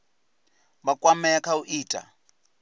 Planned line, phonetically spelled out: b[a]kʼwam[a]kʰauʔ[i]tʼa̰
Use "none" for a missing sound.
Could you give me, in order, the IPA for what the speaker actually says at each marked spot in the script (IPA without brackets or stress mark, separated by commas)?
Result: a, ɛ, iː